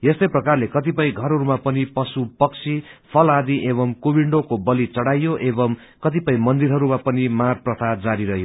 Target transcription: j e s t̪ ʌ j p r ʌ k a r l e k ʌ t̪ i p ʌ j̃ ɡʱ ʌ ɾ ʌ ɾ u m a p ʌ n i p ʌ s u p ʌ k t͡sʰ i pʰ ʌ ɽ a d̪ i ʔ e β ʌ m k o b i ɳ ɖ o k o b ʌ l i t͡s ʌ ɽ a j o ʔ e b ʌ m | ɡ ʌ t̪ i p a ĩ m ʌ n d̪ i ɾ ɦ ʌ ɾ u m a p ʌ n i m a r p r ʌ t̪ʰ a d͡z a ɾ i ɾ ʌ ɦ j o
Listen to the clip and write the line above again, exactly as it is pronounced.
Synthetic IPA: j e s t̪ ʌ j p r ʌ k a r l e k ʌ t̪ i p ʌ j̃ ɡʱ ʌ ɾ ʌ ɾ u m a p ʌ n i p ʌ s u p ʌ k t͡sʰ i pʰ ʌ l a d̪ i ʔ e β ʌ m k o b i ɳ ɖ o k o b ʌ l i t͡s ʌ ɽ a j o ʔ e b ʌ m | k ʌ t̪ i p ʌ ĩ m ʌ n d̪ i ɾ ɦ ʌ ɾ u m a p ʌ n i m a r p r ʌ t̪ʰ a d͡z a ɾ i ɾ ʌ ɦ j o